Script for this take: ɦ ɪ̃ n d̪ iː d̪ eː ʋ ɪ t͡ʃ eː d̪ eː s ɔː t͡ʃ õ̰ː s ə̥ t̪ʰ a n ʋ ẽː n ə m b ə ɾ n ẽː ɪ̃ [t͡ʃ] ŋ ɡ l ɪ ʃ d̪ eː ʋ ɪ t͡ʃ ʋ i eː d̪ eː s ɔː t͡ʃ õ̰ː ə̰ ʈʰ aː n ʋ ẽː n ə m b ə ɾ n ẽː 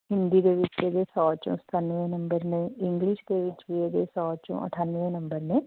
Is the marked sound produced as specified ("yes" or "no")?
no